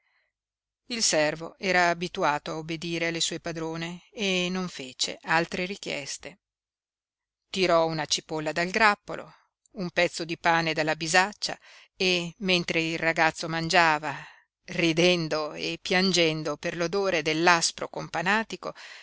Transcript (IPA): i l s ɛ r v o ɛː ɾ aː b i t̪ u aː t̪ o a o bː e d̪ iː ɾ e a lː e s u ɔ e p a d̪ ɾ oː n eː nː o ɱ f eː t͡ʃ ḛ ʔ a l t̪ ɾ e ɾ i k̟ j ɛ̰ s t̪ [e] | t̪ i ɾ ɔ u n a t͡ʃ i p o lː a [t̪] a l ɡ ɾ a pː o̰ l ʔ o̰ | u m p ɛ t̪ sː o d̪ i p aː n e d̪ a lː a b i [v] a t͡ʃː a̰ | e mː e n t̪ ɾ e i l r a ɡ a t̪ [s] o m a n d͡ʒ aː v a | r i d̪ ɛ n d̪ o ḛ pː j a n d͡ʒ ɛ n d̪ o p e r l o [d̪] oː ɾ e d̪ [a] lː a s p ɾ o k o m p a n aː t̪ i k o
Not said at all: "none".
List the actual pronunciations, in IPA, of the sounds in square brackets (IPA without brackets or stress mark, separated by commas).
e, d̪, z, sː, d̪, e